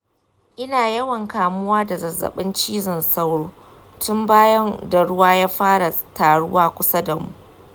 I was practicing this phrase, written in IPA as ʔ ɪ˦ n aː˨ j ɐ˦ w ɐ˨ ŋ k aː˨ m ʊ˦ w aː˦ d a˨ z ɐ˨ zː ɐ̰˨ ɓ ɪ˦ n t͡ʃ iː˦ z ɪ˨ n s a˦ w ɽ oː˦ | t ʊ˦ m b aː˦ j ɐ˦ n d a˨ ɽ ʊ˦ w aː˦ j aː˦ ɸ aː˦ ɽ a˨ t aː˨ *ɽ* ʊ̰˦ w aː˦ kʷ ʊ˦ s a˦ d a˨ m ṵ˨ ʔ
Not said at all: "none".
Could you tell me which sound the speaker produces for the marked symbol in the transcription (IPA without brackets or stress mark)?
ɽ